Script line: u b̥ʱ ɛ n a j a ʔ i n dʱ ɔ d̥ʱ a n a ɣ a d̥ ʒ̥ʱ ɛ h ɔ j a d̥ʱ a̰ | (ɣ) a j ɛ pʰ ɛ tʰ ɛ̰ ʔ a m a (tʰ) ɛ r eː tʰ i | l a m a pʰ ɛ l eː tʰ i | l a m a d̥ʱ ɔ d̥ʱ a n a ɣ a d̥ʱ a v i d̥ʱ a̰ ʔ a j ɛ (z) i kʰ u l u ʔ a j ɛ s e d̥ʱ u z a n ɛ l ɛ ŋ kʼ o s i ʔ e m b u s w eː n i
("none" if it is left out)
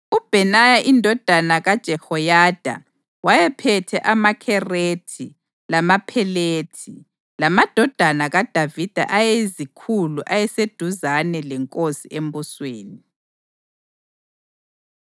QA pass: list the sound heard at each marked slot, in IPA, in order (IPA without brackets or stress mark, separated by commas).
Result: w, kʰ, z